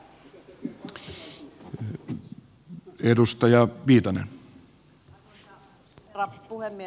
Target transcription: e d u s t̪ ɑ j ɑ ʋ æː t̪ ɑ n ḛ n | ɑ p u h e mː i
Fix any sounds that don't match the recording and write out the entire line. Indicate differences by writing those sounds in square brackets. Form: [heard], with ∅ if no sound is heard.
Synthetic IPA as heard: e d u s t̪ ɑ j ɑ ʋ [iː] t̪ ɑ n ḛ n | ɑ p u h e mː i